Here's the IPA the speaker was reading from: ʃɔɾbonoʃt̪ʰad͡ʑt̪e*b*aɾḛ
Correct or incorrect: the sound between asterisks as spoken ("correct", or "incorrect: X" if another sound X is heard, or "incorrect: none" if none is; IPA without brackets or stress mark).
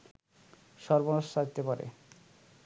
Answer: incorrect: p